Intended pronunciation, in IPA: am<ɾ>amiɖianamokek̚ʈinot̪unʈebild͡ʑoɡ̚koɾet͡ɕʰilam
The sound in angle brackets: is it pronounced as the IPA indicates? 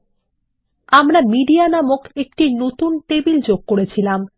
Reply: yes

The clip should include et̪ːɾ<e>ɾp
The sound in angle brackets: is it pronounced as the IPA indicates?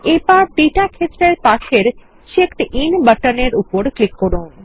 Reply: yes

